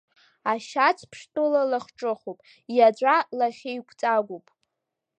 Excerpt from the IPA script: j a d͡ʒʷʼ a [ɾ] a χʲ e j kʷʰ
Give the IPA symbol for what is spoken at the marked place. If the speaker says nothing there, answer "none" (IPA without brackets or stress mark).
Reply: l